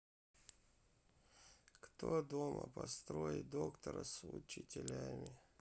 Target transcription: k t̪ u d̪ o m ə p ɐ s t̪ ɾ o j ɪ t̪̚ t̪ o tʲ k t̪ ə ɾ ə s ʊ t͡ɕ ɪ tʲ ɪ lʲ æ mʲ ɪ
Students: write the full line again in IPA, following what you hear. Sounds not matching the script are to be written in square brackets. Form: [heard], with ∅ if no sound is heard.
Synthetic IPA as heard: k t̪ [o] d̪ o m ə p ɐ s t̪ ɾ o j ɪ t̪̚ [d̪] o [∅] k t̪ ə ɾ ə s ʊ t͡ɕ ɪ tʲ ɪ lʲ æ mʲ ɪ